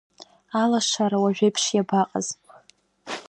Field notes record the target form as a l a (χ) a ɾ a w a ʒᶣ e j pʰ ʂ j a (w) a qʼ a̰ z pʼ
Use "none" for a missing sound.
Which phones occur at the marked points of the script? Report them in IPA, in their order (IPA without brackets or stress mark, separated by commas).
ʂ, b